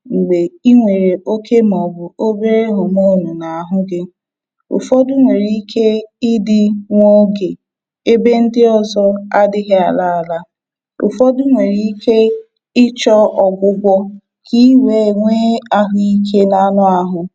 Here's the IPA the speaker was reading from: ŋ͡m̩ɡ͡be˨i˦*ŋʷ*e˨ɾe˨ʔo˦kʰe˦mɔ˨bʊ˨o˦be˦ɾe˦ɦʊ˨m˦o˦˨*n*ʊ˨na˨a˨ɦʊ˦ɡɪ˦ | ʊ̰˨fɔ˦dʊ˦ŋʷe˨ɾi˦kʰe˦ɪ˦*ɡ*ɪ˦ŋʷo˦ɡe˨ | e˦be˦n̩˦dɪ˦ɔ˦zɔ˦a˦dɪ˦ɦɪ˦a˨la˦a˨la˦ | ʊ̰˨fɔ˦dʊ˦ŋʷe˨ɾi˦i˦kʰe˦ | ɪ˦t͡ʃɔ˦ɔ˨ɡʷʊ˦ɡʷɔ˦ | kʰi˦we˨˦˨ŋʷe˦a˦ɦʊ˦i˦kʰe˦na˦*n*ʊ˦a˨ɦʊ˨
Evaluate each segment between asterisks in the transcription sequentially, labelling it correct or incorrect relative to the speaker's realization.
correct, correct, incorrect: d, correct

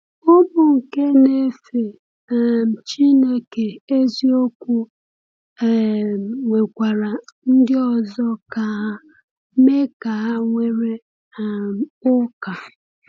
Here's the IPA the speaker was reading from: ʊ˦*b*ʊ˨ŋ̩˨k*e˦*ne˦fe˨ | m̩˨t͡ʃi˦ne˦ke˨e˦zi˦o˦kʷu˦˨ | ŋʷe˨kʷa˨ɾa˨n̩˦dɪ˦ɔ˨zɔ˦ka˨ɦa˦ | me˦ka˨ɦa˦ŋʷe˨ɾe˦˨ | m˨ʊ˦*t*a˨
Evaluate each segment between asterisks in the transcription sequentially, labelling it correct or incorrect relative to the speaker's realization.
correct, correct, incorrect: k

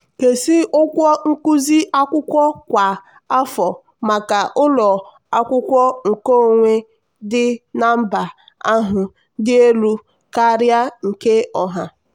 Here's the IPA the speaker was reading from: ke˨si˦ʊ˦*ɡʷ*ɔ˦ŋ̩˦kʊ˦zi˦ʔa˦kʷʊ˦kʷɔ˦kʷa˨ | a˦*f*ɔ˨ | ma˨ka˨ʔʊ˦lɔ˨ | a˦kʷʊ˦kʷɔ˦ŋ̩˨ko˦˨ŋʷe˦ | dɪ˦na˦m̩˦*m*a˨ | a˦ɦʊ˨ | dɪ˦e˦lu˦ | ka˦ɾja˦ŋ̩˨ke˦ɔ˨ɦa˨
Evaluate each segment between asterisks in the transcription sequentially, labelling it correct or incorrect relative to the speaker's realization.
incorrect: kʷ, correct, incorrect: b

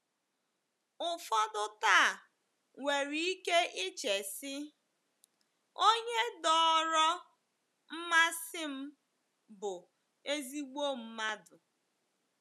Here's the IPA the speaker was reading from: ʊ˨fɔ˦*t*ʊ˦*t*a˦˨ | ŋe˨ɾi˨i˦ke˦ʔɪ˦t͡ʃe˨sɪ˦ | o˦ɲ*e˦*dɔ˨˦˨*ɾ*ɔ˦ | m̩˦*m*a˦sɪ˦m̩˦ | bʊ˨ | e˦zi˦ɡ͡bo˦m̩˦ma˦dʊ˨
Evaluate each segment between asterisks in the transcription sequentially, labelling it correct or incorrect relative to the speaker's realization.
incorrect: d, correct, correct, correct, correct

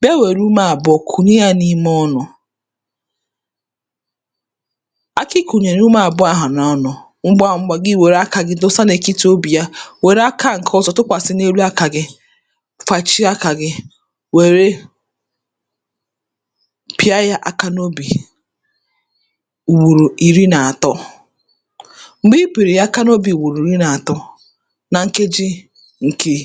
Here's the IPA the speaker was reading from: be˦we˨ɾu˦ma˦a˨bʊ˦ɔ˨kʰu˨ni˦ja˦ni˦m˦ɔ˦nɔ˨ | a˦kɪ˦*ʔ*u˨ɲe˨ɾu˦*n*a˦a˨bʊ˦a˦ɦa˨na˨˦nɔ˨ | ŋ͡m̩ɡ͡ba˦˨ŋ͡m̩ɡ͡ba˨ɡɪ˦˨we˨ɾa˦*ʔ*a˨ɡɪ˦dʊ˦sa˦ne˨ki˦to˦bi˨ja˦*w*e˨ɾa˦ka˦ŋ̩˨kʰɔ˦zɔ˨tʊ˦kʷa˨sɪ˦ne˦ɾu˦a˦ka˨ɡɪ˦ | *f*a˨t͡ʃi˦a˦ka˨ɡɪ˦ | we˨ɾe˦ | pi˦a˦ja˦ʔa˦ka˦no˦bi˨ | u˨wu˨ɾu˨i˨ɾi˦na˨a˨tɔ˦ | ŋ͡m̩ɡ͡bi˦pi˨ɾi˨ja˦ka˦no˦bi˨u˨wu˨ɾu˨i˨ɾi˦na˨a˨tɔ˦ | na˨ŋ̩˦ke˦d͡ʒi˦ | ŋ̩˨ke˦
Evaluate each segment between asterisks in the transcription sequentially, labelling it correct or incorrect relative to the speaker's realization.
incorrect: k, incorrect: m, incorrect: k, correct, correct

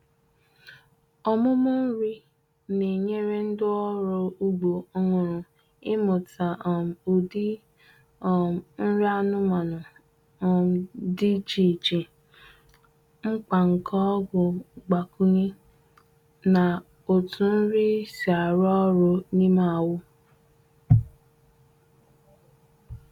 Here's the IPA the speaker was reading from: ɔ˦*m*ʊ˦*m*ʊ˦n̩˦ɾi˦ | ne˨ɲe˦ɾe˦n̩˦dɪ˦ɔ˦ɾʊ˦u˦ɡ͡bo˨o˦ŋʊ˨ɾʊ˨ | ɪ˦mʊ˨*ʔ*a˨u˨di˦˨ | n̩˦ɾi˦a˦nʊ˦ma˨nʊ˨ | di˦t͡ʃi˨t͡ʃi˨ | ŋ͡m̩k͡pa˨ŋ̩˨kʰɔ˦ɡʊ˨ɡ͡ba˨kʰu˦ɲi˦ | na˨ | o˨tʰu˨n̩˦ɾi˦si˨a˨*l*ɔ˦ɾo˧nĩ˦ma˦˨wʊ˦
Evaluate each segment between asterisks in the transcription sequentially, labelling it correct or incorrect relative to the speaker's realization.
correct, correct, incorrect: t, incorrect: ɾ

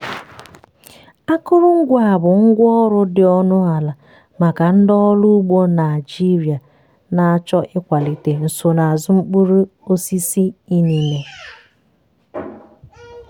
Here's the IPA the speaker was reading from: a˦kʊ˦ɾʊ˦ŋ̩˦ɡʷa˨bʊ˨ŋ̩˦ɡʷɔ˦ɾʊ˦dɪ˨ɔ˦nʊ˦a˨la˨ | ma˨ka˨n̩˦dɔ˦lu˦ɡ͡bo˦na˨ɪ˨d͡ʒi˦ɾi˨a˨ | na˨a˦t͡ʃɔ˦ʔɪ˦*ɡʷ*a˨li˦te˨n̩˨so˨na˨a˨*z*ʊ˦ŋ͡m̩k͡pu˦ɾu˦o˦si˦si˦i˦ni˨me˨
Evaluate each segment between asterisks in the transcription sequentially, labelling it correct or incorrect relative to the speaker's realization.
incorrect: kʷ, correct

